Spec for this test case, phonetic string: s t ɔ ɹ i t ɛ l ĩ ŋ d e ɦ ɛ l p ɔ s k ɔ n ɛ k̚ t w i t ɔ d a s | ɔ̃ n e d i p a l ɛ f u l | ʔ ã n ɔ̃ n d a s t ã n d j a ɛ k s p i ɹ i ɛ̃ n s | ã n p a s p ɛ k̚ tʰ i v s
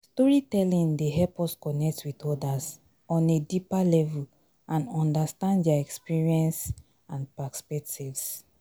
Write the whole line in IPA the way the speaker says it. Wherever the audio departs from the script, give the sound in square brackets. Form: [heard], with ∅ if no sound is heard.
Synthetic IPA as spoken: s t ɔ ɹ i t ɛ l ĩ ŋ d e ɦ ɛ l p ɔ s k ɔ n ɛ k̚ t w i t ɔ d a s | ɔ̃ n e d i p a l ɛ [v] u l | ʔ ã n ɔ̃ n d a s t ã n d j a ɛ k s p i ɹ i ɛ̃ n s | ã n p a s p ɛ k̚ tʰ i v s